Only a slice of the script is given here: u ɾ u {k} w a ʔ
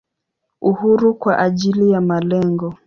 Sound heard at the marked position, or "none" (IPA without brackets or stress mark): k